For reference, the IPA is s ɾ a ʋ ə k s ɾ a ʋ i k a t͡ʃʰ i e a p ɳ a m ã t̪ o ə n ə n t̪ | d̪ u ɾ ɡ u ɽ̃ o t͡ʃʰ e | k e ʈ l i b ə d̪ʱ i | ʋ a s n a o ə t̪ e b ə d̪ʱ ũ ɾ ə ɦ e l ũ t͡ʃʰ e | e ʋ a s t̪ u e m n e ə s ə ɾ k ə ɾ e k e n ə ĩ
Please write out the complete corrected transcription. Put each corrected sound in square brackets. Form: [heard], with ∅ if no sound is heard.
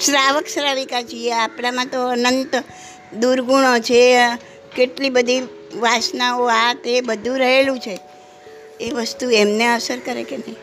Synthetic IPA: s ɾ a ʋ ə k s ɾ a ʋ i k a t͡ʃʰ i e a p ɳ a m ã t̪ o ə n ə n t̪ | d̪ u ɾ ɡ u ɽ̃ o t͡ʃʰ e | k e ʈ l i b ə d̪ʱ i | ʋ a s n a o [a] t̪ e b ə d̪ʱ ũ ɾ ə ɦ e l ũ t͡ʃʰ e | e ʋ [ə] s t̪ u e m n e ə s ə ɾ k ə ɾ e k e n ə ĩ